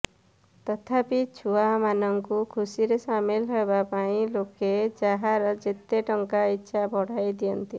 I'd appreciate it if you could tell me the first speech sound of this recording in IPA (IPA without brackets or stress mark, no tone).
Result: t̪